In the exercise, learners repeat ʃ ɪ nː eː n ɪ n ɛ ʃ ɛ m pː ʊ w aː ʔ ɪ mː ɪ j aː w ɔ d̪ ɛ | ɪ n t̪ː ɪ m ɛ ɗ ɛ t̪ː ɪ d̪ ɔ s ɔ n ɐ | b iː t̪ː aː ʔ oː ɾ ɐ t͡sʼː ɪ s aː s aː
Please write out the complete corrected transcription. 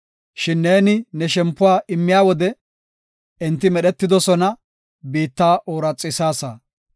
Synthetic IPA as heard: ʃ ɪ nː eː n ɪ n ɛ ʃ ɛ m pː ʊ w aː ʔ ɪ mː ɪ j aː w ɔ d̪ ɛ | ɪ n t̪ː ɪ m ɛ ɗ ɛ t̪ː ɪ d̪ ɔ s ɔ n ɐ | b iː t̪ː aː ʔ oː ɾ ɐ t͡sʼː ɪ s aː s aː